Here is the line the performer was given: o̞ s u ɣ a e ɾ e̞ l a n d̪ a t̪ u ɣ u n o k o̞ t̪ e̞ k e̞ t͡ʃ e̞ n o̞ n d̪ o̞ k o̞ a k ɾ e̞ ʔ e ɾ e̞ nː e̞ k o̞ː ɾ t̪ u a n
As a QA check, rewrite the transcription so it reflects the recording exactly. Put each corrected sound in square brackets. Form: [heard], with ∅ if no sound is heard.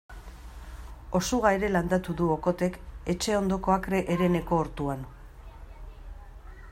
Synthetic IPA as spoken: o̞ s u ɣ a e ɾ e̞ l a n d̪ a t̪ u [ð] u [∅] o k o̞ t̪ e̞ k e̞ t͡ʃ e̞ [∅] o̞ n d̪ o̞ k o̞ a k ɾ e̞ ʔ e ɾ e̞ [n] e̞ k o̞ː ɾ t̪ u a n